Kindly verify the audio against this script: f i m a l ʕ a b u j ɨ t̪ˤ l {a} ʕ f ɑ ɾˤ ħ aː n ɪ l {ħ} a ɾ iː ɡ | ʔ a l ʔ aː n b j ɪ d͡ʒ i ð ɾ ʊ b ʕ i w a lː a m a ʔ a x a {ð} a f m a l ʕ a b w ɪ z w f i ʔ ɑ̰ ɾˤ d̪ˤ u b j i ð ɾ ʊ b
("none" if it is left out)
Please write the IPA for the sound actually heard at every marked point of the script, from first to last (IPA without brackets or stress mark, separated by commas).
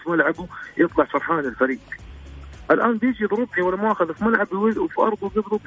ɑ, f, ð